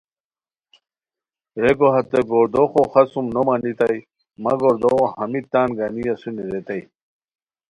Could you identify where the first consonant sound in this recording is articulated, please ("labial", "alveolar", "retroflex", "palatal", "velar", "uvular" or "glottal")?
alveolar